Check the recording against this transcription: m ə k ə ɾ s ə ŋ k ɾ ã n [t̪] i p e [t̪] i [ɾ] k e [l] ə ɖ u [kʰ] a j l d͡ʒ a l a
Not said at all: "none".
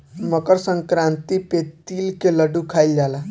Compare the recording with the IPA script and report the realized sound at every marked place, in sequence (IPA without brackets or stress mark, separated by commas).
t̪, t̪, l, l, kʰ